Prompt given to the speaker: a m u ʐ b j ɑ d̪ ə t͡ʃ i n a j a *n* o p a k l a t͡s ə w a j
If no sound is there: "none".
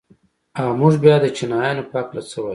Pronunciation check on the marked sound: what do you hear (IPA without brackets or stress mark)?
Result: n